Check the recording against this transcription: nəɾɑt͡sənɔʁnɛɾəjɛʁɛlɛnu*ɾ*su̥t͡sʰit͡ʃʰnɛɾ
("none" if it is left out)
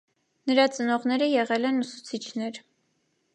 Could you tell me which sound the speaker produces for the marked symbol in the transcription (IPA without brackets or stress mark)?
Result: none